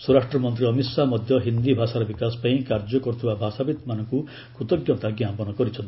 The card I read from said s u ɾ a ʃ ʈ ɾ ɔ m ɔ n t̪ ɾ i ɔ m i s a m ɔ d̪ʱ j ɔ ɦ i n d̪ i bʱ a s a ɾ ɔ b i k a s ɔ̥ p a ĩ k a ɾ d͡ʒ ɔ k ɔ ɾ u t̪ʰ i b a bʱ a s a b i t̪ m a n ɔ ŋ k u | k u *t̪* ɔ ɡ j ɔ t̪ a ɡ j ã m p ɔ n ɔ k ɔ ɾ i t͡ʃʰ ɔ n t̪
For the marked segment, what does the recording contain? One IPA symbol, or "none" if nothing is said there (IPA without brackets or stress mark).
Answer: t̪